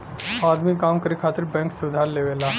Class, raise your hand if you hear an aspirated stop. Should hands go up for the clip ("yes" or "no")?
yes